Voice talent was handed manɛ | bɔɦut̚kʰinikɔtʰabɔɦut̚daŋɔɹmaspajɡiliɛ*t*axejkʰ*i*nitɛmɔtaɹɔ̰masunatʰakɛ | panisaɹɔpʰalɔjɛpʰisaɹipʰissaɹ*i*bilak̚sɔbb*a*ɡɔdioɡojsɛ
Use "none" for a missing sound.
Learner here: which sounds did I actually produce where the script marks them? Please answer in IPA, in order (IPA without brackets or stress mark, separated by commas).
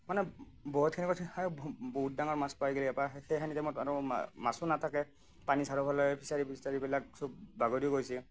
p, a, i, a